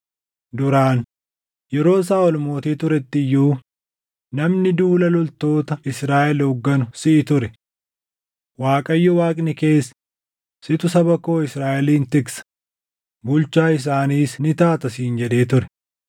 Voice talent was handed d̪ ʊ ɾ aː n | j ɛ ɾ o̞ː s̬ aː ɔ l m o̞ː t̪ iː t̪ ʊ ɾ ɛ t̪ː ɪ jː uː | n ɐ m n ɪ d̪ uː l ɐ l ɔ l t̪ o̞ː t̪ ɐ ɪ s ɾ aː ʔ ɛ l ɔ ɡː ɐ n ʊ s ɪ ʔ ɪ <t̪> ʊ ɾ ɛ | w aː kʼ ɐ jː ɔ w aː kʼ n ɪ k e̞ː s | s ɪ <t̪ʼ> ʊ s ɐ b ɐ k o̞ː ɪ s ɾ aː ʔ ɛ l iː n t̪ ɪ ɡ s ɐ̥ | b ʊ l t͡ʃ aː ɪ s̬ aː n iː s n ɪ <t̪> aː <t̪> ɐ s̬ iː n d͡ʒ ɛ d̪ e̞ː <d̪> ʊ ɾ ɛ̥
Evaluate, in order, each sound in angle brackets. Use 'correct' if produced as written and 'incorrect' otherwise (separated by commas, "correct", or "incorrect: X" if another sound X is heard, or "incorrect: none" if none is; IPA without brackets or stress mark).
correct, incorrect: t̪, correct, correct, incorrect: t̪